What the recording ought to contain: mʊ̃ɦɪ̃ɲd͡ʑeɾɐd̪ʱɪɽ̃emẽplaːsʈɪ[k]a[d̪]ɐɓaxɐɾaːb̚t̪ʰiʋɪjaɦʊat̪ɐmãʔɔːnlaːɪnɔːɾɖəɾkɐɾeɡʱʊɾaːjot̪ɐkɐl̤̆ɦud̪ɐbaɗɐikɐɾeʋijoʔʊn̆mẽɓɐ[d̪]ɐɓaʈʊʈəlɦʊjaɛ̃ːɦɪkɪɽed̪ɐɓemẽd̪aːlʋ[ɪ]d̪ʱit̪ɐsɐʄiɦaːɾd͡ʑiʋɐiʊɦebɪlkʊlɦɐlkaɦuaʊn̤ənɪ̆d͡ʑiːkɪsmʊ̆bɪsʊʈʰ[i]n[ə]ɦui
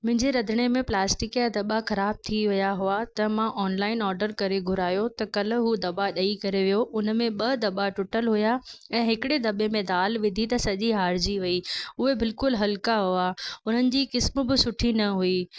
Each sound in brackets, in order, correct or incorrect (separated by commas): correct, correct, correct, correct, correct, incorrect